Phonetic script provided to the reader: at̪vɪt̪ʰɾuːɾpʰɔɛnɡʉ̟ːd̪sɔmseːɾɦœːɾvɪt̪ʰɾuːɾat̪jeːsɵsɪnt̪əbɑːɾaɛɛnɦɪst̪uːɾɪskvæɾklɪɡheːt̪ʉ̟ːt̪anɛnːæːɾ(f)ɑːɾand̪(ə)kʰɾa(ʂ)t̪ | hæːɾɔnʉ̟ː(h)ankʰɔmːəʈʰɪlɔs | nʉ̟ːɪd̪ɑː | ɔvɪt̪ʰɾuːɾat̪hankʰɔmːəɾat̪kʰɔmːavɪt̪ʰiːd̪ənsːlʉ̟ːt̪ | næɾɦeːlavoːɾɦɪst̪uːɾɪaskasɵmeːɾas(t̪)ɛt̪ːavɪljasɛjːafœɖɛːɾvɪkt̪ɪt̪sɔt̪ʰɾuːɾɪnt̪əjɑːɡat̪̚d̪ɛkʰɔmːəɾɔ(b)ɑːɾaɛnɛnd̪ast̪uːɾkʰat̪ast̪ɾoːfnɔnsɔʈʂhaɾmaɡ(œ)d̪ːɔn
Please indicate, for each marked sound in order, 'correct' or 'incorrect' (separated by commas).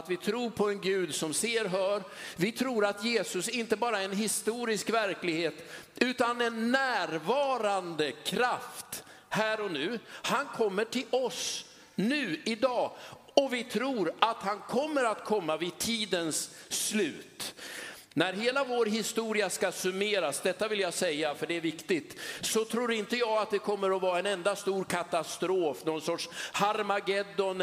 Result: incorrect, correct, incorrect, correct, incorrect, incorrect, incorrect